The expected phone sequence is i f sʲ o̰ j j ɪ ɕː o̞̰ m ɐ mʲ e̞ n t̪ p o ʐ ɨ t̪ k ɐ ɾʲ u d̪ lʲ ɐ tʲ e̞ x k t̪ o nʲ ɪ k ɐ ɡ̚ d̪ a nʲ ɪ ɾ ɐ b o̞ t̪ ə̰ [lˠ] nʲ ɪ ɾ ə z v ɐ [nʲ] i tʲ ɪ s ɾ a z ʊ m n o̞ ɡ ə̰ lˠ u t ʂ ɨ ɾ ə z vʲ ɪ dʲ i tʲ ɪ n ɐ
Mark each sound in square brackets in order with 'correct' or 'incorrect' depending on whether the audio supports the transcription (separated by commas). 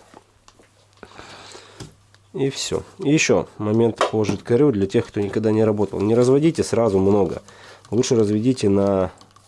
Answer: correct, incorrect